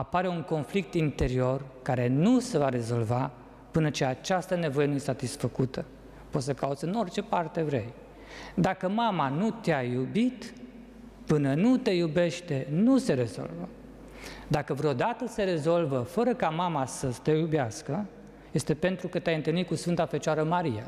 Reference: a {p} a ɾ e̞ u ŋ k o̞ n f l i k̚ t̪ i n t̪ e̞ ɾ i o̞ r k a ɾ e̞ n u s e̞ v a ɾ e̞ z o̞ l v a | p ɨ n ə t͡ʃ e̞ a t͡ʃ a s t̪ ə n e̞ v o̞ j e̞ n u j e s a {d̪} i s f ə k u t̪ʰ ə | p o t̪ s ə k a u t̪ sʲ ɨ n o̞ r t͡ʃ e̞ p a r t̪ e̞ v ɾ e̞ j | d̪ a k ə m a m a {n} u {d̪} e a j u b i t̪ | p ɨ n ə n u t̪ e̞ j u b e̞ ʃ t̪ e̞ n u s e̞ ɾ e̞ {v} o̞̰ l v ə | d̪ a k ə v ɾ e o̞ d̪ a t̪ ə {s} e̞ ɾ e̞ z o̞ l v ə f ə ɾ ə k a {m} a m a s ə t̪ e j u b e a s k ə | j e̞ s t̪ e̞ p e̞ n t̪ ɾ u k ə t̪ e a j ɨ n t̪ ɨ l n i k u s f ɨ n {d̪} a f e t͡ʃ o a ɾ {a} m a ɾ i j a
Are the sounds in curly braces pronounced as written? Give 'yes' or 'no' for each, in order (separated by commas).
yes, no, yes, no, no, yes, yes, no, no